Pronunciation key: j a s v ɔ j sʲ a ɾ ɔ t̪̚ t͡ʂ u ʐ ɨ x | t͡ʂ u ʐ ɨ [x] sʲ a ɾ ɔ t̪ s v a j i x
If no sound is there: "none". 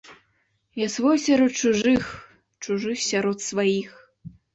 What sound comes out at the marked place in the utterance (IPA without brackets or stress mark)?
x